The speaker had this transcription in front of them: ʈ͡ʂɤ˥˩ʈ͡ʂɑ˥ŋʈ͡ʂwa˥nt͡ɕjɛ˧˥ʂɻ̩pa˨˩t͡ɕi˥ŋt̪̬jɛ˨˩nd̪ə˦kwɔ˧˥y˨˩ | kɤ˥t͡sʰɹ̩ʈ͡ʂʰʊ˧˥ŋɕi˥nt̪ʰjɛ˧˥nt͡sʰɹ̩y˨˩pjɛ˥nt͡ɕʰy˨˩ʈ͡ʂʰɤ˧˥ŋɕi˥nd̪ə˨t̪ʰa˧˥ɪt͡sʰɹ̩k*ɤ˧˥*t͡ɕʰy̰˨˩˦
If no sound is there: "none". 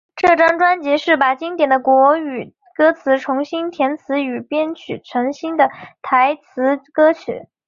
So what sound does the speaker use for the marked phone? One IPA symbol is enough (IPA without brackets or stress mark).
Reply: ɤ˥